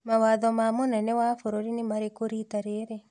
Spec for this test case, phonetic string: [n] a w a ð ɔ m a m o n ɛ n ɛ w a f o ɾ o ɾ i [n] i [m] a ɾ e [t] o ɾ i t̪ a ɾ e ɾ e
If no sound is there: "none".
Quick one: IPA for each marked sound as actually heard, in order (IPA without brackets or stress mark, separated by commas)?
m, n, m, k